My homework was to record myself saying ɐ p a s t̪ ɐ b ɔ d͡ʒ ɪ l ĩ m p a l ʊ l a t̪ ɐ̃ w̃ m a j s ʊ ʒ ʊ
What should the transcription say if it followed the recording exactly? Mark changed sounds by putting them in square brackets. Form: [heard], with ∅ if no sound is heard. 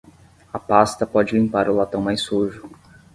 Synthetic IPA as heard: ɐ p a s t̪ ɐ [p] ɔ d͡ʒ ɪ l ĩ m p a [ɾ] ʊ l a t̪ ɐ̃ w̃ m a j s [u] ʒ ʊ